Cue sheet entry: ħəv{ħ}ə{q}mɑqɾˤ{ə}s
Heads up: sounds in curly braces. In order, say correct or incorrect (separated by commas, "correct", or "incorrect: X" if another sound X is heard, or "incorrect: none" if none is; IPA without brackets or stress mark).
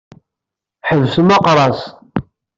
incorrect: s, incorrect: none, incorrect: ɑ